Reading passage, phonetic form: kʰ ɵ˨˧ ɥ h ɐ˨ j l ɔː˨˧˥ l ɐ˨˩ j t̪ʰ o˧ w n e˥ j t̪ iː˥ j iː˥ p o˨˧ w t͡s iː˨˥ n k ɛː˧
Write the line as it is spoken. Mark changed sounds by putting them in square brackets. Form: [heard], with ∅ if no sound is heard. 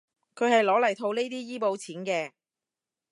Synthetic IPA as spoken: kʰ ɵ˨˧ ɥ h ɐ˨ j l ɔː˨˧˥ l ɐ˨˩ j t̪ʰ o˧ w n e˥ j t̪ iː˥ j iː˥ p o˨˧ w [t͡sʰ] iː˨˥ n k ɛː˧